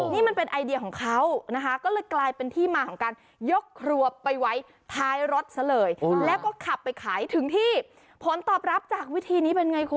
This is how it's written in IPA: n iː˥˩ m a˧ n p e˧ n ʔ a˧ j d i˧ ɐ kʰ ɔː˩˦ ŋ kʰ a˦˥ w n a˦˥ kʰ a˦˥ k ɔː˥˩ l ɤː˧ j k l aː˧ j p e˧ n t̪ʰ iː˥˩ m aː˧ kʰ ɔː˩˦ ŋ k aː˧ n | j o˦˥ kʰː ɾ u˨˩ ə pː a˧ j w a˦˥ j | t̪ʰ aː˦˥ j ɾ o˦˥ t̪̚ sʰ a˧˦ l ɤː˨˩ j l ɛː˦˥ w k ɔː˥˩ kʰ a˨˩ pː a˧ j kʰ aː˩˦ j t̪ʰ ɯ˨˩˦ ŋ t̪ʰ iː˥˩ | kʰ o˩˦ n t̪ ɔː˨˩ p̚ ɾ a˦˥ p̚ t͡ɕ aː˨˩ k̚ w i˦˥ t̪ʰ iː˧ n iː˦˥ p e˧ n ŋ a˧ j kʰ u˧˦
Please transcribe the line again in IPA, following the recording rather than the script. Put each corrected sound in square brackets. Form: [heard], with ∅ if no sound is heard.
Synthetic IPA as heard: n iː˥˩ m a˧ n p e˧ n ʔ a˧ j d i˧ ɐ kʰ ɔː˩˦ ŋ kʰ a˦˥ w n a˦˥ kʰ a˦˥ k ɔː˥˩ l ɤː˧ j k l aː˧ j p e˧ n t̪ʰ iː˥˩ m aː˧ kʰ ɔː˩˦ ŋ k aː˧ n | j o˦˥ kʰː ɾ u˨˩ ə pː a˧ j w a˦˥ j | t̪ʰ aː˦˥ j ɾ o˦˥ t̪̚ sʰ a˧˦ l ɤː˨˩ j l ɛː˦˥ w k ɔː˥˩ kʰ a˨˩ pː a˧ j kʰ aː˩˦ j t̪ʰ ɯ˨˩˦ ŋ t̪ʰ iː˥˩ | [pʰ] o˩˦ n t̪ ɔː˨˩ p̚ ɾ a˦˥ p̚ t͡ɕ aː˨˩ k̚ w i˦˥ t̪ʰ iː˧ n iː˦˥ p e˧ n ŋ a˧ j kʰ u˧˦